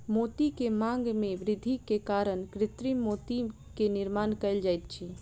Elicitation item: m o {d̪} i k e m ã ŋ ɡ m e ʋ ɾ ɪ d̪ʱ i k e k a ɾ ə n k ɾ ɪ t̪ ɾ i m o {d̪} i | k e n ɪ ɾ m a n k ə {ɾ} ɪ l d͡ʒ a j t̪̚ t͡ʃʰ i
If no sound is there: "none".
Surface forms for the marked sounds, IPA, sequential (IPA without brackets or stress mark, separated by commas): t̪, t̪, none